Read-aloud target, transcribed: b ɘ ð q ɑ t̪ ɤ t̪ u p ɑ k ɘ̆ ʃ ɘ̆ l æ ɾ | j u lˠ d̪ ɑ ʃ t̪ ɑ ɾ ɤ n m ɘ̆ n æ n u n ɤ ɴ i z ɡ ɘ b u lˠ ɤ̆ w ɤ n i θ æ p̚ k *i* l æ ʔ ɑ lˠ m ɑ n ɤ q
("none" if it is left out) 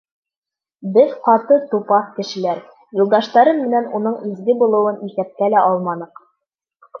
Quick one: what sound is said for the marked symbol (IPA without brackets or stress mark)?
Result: æ